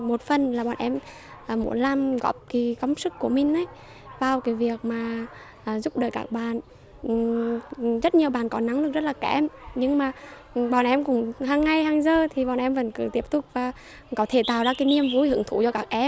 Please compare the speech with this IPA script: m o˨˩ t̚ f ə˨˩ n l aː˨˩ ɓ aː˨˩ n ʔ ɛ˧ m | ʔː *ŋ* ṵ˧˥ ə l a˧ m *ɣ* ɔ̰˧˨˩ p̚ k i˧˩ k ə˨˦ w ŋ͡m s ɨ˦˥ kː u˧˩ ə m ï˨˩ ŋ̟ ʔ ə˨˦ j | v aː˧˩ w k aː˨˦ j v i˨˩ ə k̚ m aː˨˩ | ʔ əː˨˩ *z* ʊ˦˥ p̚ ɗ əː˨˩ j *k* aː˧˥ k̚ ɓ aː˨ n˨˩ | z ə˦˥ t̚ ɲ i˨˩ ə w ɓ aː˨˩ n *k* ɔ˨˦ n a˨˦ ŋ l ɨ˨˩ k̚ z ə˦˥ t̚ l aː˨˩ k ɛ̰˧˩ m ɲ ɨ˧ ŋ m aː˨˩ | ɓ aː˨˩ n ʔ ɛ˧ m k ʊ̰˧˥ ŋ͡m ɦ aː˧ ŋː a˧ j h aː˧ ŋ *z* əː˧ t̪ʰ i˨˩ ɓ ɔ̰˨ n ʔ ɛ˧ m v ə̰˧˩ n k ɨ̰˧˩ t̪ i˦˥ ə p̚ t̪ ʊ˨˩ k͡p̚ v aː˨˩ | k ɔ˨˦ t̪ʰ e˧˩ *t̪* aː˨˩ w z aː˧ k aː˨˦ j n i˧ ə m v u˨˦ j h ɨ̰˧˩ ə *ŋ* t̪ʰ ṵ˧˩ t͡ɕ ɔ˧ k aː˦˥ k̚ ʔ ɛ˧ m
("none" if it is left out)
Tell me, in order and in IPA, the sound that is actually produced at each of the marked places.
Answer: m, ɣ, z, k, k, z, t̪, ŋ

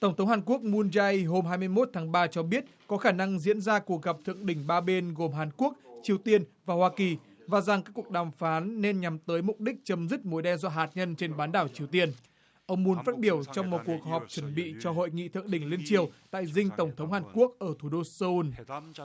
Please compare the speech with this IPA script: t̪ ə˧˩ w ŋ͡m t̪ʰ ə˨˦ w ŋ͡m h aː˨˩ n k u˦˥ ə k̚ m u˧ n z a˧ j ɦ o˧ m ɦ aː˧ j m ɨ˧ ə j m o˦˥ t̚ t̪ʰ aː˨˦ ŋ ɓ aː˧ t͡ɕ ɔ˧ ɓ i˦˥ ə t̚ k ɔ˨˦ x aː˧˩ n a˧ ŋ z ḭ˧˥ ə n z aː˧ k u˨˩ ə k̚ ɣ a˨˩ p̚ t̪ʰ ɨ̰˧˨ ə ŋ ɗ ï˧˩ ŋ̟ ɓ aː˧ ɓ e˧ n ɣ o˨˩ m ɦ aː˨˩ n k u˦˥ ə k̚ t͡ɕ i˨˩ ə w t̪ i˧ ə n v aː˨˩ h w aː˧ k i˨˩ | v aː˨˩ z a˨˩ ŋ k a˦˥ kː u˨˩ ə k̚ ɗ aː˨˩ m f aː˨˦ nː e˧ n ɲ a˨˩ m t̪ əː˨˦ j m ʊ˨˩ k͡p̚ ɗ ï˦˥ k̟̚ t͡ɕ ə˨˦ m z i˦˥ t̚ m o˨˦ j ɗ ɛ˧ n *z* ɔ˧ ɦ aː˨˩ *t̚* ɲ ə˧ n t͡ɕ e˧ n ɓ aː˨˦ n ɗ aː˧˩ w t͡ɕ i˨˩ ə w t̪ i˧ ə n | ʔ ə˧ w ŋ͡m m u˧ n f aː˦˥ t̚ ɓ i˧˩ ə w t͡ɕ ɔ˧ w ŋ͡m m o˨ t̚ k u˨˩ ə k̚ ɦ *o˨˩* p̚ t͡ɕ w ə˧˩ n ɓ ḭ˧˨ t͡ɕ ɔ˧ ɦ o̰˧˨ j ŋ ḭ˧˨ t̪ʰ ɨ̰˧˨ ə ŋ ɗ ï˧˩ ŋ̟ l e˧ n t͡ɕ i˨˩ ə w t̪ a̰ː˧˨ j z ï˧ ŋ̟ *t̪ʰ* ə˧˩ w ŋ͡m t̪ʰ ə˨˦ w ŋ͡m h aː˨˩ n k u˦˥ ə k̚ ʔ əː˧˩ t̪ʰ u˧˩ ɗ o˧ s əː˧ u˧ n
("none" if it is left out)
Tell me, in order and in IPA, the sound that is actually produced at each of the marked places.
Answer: z, t̚, ɔ˨˩, t̪

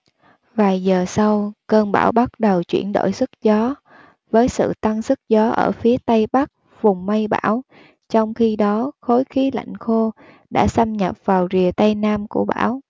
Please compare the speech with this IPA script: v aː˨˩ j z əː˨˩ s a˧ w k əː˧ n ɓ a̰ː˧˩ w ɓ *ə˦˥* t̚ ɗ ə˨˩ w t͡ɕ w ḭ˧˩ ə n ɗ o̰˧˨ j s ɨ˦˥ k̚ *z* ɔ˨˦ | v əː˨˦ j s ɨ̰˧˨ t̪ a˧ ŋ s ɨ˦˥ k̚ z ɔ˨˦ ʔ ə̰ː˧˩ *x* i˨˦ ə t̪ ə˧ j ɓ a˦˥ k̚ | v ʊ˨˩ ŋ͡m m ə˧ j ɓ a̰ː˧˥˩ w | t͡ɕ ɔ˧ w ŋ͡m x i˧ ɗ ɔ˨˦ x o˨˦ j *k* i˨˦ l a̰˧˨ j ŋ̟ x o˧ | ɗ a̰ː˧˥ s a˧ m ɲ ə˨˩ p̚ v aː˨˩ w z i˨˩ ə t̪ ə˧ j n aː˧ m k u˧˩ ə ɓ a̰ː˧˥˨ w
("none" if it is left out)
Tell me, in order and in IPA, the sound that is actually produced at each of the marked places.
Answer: a˦˥, z, f, x

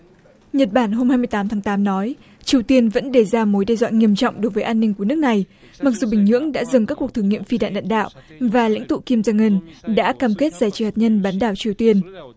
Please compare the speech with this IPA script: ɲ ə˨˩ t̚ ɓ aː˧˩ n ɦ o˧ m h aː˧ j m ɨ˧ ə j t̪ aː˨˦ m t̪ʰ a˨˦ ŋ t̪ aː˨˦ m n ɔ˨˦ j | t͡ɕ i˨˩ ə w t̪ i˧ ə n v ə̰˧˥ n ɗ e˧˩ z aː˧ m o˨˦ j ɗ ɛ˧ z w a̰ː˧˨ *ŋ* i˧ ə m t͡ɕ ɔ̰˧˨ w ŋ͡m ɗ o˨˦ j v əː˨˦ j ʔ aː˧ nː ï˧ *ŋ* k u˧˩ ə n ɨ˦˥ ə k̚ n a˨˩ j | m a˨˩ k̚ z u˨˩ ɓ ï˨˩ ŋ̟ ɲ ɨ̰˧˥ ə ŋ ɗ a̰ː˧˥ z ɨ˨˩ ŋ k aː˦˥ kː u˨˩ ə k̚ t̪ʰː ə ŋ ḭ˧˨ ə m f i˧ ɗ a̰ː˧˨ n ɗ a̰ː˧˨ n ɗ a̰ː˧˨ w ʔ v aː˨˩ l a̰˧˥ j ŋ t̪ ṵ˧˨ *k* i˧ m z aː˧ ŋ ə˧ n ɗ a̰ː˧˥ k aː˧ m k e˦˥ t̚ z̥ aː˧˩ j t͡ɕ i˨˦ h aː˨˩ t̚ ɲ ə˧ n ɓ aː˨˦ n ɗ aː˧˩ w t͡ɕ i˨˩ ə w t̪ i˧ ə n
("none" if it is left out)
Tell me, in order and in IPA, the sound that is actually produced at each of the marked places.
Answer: ŋ, ŋ, k

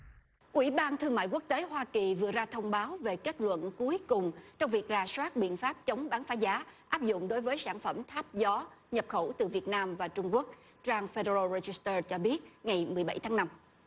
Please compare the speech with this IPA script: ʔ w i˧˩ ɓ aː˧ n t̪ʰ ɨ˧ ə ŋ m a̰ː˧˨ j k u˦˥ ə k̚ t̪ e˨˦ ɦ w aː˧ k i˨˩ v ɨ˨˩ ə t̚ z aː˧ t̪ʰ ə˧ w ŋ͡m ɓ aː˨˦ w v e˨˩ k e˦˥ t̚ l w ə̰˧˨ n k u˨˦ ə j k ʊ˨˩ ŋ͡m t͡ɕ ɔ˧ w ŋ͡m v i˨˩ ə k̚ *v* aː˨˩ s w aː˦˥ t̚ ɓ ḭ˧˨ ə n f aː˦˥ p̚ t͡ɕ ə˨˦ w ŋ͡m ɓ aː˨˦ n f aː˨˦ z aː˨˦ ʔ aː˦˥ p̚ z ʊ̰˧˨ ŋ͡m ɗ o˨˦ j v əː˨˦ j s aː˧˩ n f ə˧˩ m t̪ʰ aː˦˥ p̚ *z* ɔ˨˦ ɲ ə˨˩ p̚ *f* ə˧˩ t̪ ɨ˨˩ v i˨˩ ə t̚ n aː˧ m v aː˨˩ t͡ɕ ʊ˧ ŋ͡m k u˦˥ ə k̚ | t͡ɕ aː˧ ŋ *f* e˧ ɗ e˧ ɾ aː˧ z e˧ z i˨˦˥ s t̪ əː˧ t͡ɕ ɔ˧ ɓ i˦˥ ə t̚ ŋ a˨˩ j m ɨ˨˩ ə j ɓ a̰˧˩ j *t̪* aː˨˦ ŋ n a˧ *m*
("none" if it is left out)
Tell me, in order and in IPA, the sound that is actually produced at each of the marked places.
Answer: z, z, x, f, t̪ʰ, m

